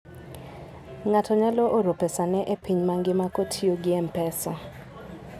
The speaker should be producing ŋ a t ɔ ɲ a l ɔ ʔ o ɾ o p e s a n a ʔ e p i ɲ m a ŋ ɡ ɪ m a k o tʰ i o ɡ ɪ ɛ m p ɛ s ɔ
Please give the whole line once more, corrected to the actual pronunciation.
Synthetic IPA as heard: ŋ a t ɔ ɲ a l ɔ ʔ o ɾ o p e s a n ɛ ʔ e p i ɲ m a ŋ ɡ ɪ m a k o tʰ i o ɡ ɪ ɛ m p ɛ s ɔ

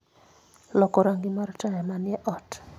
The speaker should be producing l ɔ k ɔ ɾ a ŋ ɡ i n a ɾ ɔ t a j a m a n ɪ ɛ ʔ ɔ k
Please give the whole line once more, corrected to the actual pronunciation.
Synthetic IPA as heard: l ɔ k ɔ ɾ a ŋ ɡ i m a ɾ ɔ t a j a m a n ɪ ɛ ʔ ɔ t

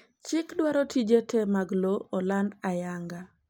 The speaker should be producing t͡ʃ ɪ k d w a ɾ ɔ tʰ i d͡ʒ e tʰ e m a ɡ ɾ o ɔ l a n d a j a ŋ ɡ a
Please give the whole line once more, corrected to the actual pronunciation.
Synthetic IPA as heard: t͡ʃ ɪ k d w a ɾ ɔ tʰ i d͡ʒ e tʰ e m a ɡ l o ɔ l a n d a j a ŋ ɡ a

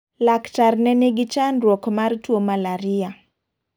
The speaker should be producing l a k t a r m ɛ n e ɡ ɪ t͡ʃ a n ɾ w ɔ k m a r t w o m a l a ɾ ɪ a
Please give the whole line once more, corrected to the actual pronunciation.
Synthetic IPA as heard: l a k t a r n ɛ n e ɡ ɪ t͡ʃ a n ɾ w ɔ k m a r t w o m a l a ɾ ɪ a

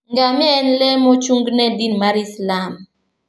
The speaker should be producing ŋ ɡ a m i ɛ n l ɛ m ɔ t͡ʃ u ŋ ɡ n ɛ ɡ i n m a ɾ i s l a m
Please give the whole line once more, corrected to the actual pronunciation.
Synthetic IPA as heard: ŋ ɡ a m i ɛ n l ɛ m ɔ t͡ʃ u ŋ ɡ n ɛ d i n m a ɾ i s l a m

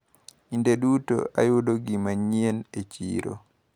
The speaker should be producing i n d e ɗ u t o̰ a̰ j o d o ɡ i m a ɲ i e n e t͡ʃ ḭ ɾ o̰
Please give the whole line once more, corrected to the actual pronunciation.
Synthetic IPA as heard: i n d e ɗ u t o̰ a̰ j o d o ɡ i m a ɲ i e n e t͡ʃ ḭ ɾ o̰

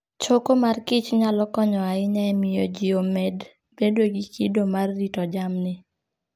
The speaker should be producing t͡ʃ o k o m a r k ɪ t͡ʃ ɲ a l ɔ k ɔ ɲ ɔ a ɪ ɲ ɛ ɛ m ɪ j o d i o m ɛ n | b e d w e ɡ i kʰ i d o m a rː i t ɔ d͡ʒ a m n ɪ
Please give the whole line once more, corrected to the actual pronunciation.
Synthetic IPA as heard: t͡ʃ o k o m a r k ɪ t͡ʃ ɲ a l ɔ k ɔ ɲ ɔ a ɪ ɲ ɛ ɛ m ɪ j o d͡ʒ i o m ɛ d | b e d w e ɡ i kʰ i d o m a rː i t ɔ d͡ʒ a m n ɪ

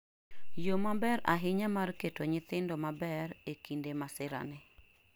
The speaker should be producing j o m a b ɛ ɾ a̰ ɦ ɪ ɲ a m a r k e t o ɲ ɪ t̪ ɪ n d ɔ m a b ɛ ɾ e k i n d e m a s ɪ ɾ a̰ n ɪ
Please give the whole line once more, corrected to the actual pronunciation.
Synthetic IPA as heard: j o m a b ɛ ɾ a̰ ɦ ɪ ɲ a m a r k e t o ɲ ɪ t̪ ɪ n d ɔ m a b ɛ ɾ e k i n d e m a s ɪ ɾ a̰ n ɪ

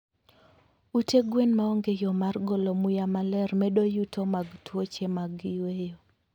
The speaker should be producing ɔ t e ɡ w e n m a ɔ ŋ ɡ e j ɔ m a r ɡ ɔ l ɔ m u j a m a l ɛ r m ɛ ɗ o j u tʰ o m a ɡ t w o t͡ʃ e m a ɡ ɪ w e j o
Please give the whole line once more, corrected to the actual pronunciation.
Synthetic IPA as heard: u t e ɡ w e n m a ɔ ŋ ɡ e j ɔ m a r ɡ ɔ l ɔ m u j a m a l ɛ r m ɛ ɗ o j u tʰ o m a ɡ t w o t͡ʃ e m a ɡ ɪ w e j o

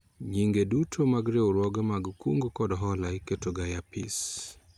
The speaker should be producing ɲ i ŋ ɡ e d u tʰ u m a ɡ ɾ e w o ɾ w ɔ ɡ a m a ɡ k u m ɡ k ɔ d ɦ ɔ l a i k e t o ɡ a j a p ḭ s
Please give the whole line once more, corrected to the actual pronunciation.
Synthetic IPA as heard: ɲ i ŋ ɡ e d u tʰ o m a ɡ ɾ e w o ɾ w ɔ ɡ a m a ɡ k u ŋ ɡ k ɔ d ɦ ɔ l a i k e t o ɡ a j a p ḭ s

